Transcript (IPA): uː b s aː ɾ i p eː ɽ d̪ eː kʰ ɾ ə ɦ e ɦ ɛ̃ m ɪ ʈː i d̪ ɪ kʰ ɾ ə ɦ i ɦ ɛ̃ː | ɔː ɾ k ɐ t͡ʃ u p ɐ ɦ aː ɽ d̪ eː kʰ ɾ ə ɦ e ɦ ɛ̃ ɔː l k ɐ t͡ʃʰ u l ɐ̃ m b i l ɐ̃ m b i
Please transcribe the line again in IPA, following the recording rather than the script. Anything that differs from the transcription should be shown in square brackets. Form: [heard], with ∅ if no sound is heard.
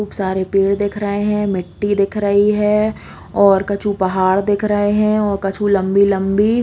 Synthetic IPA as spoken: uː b s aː ɾ [e] p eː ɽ d̪ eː kʰ ɾ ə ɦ e ɦ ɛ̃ m ɪ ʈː i d̪ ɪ kʰ ɾ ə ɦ i ɦ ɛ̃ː | ɔː ɾ k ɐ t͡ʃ u p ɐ ɦ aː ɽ d̪ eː kʰ ɾ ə ɦ e ɦ ɛ̃ ɔː [ɾ] k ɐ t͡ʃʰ u l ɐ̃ m b i l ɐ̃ m b i